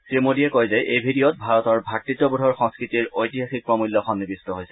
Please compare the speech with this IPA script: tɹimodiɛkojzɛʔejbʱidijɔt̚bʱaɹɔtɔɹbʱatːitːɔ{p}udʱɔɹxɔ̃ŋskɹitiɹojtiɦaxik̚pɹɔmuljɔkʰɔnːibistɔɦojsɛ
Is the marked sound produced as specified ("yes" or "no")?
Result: no